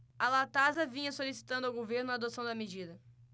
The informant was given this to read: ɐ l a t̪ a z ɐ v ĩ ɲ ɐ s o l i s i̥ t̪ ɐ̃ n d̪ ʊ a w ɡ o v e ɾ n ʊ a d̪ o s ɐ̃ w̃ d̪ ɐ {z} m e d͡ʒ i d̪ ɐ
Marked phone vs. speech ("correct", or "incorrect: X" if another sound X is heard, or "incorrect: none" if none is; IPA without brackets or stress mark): incorrect: none